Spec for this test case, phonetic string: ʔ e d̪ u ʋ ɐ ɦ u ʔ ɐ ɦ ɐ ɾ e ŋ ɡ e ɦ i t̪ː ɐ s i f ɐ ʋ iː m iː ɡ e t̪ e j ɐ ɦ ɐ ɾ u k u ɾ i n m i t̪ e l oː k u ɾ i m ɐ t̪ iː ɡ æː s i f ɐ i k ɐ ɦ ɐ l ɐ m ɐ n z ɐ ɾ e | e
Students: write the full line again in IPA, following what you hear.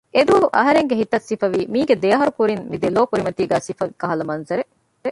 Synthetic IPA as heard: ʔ e d̪ u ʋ ɐ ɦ u ʔ ɐ ɦ ɐ ɾ e ŋ ɡ e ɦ i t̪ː ɐ s i f ɐ ʋ iː m iː ɡ e d̪ e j ɐ ɦ ɐ ɾ u k u ɾ i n m i d̪ e l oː k u ɾ i m ɐ t̪ iː ɡ æː s i f ɐ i k ɐ ɦ ɐ l ɐ m ɐ n z ɐ ɾ e | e